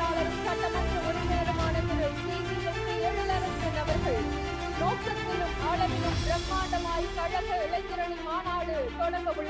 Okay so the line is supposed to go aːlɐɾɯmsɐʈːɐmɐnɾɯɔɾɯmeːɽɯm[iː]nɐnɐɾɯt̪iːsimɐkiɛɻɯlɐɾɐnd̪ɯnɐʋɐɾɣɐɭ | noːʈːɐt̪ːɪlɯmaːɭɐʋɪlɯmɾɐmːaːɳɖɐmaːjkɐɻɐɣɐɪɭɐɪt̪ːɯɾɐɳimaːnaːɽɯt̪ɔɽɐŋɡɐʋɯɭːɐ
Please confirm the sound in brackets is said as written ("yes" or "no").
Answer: no